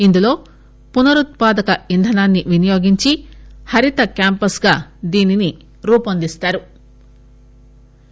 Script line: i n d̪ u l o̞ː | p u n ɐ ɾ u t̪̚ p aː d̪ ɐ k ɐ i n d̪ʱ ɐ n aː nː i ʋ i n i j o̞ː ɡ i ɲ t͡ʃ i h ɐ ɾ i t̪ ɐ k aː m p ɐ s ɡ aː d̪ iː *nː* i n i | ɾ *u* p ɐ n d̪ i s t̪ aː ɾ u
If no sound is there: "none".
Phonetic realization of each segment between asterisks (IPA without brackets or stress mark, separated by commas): n, uː